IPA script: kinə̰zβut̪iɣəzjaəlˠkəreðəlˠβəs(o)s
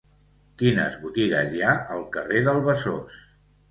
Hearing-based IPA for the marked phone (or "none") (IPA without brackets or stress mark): o